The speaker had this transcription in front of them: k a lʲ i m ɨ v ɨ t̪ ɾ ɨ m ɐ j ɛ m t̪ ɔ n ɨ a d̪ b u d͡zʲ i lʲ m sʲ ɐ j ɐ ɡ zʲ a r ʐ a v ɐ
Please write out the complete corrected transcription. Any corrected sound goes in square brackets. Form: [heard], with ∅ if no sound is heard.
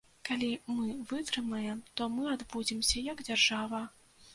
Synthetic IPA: k a lʲ i m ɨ v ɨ t̪ ɾ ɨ m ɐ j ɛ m t̪ ɔ [m] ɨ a d̪ b u d͡zʲ i [∅] m sʲ ɐ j ɐ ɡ [d͡zʲ] a r ʐ a v ɐ